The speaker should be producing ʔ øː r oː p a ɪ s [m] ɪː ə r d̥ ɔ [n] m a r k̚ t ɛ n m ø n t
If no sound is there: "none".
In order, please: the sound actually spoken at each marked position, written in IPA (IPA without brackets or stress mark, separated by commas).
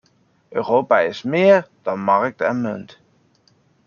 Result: m, n